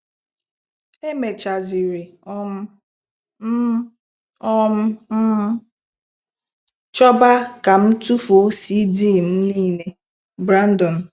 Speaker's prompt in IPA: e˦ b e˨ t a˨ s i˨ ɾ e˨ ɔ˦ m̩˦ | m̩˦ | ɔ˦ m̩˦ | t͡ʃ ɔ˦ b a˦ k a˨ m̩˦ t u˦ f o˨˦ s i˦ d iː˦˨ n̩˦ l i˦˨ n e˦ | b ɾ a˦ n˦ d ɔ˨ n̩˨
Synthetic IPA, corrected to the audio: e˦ m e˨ t͡ʃ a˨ z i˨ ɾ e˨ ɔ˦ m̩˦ | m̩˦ | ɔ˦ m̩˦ | t͡ʃ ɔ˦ b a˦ k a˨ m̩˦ t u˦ f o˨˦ s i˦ d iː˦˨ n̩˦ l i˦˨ n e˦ | b ɾ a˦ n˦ d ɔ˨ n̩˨